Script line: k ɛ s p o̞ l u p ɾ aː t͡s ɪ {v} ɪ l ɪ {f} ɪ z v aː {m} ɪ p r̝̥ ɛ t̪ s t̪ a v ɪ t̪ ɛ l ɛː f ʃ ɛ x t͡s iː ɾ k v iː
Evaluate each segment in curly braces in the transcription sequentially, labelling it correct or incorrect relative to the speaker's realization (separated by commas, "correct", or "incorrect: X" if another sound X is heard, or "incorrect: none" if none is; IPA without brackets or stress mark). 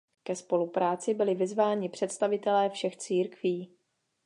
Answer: incorrect: b, incorrect: v, incorrect: ɲ